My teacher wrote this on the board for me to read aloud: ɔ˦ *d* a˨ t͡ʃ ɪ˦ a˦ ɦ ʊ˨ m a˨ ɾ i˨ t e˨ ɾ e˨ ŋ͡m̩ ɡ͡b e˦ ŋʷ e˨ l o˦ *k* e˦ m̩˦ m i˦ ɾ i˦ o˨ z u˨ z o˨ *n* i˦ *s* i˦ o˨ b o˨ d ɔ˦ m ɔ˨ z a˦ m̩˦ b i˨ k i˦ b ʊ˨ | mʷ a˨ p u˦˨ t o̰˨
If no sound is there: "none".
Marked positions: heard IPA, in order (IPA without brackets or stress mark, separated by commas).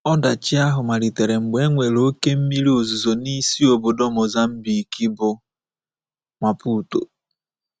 d, k, n, s